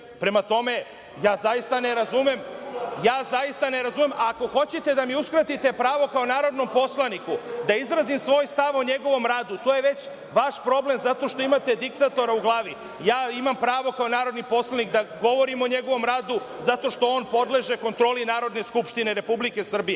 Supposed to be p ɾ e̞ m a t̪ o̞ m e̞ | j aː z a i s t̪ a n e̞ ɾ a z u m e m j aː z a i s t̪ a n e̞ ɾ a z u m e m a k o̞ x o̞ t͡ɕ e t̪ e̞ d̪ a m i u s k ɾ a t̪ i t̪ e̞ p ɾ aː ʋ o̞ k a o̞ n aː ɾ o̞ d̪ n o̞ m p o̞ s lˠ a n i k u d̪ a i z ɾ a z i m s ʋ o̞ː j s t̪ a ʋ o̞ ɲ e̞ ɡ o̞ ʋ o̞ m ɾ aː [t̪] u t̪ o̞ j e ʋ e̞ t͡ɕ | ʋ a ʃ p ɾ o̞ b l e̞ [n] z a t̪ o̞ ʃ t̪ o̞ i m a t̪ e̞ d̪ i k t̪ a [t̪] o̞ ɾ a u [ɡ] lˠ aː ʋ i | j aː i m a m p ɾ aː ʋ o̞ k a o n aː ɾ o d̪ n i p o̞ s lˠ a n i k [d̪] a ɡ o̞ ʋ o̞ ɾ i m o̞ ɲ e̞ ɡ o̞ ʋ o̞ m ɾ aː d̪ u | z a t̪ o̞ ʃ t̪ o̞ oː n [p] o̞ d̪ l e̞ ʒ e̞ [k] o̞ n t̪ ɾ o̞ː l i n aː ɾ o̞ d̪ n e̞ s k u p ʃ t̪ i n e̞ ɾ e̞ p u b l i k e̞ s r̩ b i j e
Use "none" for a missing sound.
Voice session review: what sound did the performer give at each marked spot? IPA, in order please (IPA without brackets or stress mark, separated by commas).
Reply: d̪, m, t̪, ɡ, d̪, p, k